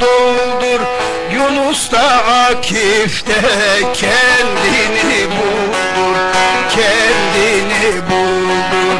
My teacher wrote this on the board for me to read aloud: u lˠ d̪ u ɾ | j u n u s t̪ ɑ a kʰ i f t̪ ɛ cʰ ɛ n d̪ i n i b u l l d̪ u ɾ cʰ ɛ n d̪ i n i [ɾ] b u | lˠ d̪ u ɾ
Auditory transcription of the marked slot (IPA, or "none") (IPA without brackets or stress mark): none